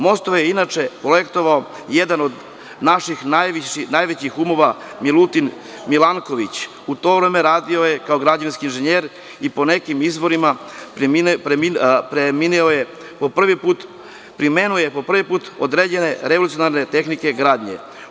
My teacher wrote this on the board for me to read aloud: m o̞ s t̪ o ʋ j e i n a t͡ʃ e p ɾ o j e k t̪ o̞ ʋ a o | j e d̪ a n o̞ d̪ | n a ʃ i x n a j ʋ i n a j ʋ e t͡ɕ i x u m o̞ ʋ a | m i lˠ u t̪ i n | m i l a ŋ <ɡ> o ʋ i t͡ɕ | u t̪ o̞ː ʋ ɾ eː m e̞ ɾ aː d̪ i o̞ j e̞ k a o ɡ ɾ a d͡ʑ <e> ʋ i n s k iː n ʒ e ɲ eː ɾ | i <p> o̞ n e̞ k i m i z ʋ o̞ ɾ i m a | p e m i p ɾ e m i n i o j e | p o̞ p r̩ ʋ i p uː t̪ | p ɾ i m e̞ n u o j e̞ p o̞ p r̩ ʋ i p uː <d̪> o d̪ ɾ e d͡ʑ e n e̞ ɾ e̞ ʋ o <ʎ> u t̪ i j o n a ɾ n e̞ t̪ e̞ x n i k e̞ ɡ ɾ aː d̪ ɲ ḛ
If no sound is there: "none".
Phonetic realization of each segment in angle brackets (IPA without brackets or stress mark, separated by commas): k, a, p, t̪, l